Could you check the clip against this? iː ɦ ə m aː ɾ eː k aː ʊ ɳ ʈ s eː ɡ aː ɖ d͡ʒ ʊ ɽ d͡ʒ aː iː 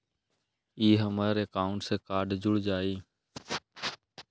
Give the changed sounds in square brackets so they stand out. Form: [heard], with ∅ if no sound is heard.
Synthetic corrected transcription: iː ɦ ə m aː ɾ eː k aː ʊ ɳ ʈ s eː [k] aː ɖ d͡ʒ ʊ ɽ d͡ʒ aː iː